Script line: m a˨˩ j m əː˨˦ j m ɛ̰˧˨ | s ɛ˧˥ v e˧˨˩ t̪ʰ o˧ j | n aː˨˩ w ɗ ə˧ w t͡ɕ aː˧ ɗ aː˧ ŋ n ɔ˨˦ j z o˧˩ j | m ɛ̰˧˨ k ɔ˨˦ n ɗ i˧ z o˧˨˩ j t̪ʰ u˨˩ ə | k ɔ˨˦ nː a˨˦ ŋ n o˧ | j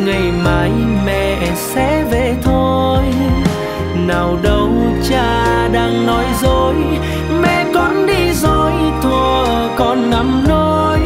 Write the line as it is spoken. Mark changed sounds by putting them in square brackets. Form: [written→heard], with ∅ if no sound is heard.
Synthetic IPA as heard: [m→ŋ] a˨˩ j m [əː˨˦→aː˨˦] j m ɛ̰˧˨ | s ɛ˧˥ v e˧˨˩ t̪ʰ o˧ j | n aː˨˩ w ɗ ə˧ w t͡ɕ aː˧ ɗ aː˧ ŋ n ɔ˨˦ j z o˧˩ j | m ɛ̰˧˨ k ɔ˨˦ n ɗ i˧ z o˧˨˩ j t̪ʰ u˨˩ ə | k [ɔ˨˦→ɔ˧˩] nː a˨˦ [ŋ→m] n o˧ | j